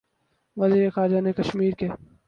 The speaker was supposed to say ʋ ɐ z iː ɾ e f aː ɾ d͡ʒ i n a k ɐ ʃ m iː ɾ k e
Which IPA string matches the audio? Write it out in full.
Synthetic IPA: ʋ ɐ z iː ɾ e x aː ɾ d͡ʒ a n e k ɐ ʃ m iː ɾ k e